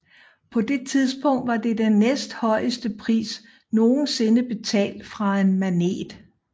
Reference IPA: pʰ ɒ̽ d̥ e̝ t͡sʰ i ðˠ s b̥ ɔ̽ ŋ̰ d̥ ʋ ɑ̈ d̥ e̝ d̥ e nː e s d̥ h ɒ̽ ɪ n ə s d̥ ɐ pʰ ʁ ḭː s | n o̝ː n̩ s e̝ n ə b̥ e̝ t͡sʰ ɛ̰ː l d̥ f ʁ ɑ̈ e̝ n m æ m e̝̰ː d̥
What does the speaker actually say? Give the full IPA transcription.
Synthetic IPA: pʰ ɒ̽ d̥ e̝ t͡sʰ i ðˠ s b̥ ɔ̽ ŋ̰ d̥ ʋ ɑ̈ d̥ e̝ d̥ e nː e s d̥ h ɒ̽ ɪ ə s d̥ ə pʰ ʁ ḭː s | n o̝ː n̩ s e̝ n ə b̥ e̝ t͡sʰ ɛ̰ː l d̥ f ʁ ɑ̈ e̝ n m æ n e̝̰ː d̥